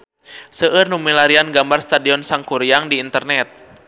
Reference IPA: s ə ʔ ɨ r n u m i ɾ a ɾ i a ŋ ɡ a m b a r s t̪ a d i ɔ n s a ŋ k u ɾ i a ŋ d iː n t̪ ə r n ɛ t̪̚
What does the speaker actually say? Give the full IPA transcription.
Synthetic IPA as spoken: s ə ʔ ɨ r n u m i l a ɾ i a n ɡ a m b a r s t̪ a d i ɔ n s a ŋ k u ɾ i a ŋ d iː n t̪ ə r n ɛ t̪̚